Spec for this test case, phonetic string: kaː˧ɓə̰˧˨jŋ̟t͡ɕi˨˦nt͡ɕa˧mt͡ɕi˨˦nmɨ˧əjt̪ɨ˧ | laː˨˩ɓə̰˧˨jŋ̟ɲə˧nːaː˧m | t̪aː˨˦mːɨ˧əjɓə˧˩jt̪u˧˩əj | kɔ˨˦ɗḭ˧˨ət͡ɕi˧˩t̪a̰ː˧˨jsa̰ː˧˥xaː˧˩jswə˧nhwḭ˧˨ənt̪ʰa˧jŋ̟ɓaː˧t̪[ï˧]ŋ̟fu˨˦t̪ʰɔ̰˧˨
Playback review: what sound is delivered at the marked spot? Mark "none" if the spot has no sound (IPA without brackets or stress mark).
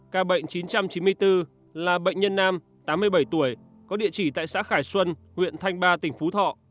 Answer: ï˧˩